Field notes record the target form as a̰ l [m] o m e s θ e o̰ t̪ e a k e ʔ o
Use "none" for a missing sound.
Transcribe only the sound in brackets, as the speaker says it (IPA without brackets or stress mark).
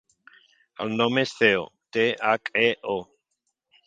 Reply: n